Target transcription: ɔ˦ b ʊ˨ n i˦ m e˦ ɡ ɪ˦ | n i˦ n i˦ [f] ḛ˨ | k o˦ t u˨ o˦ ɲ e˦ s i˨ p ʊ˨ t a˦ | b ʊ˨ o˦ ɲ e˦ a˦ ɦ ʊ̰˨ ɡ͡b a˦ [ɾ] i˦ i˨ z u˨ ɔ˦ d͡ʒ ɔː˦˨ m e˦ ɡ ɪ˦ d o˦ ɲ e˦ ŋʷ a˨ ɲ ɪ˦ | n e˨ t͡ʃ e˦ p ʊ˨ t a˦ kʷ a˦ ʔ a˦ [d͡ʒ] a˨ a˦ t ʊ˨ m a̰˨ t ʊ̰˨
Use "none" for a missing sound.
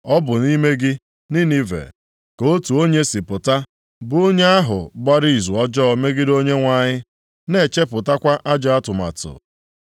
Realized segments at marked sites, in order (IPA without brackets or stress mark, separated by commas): v, ɾ, d͡ʒ